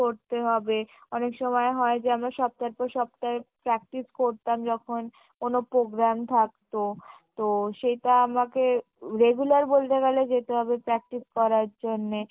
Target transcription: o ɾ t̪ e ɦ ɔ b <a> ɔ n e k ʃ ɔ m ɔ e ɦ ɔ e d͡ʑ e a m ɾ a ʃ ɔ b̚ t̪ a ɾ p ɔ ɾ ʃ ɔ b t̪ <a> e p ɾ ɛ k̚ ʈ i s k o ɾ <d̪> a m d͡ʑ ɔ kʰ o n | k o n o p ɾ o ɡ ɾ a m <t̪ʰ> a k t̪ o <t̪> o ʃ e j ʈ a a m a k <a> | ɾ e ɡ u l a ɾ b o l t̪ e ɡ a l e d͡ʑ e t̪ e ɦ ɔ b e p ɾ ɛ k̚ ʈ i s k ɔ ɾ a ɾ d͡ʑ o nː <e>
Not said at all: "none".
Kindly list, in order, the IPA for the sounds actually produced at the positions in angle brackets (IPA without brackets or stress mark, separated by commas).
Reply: e, a, t̪, t̪ʰ, t̪, e, e